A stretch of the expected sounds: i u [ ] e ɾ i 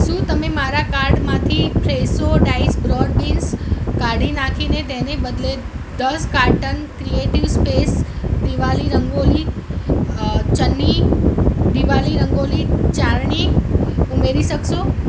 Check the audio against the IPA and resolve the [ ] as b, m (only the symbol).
m